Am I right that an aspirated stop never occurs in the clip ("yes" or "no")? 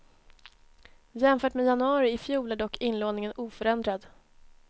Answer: yes